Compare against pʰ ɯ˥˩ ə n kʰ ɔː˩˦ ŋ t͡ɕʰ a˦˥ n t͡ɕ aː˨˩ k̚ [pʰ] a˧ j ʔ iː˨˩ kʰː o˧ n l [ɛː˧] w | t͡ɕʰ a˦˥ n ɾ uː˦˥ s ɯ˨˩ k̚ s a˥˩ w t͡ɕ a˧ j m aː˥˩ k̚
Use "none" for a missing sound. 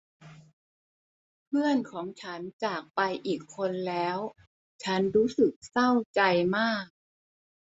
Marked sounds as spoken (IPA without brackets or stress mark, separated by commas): p, ɛː˦˥